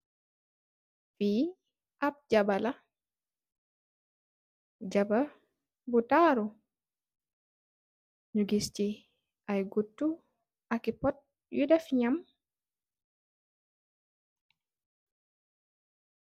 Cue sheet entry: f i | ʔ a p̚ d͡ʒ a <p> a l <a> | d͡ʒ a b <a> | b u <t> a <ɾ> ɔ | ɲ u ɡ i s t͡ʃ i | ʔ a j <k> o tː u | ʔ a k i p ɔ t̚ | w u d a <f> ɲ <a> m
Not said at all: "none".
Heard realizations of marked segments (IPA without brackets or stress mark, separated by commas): b, a, a, t, ɾ, ɡ, f, a